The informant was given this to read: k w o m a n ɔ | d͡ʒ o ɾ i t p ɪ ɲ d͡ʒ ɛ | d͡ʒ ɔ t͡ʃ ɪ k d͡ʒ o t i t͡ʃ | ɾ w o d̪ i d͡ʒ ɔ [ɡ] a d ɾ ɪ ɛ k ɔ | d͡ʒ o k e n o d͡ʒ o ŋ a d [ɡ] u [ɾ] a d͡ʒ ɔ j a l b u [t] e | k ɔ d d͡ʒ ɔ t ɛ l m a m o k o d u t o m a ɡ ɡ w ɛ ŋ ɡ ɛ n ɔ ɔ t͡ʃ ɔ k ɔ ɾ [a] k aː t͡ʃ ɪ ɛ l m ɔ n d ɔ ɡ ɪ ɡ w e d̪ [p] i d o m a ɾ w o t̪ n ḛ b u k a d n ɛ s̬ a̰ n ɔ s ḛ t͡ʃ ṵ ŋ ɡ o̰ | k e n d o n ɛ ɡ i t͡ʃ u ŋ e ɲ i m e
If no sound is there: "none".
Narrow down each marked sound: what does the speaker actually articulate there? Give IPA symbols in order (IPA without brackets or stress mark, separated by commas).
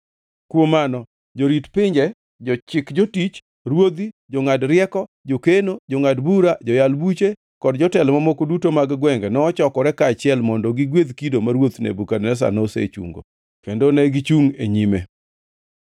ŋ, b, ɾ, t͡ʃ, ɛ, k